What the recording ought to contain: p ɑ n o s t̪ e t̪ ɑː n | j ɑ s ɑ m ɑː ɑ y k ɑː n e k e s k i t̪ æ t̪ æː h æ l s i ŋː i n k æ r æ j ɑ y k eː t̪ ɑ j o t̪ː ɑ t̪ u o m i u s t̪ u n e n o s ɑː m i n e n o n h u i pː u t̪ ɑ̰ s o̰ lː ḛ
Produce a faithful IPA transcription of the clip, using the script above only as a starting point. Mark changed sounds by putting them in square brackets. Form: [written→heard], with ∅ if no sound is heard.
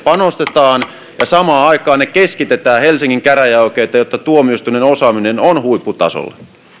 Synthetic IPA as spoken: p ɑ n o s t̪ e t̪ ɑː n | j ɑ s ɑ m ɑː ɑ [y→i] k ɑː n e k e s k i t̪ [æ→e] t̪ æː h [æ→e] l s i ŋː i [n→ŋ] k æ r æ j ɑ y k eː t̪ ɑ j o t̪ː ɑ t̪ u o m i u s t̪ u n e n o s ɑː m i n e n o n h u i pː u t̪ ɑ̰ s o̰ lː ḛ